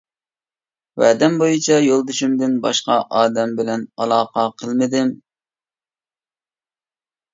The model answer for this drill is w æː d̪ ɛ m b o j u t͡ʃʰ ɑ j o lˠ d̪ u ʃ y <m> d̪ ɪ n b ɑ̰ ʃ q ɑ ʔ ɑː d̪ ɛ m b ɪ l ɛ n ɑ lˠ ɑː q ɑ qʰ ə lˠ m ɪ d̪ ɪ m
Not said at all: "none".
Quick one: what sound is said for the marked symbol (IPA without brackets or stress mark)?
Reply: m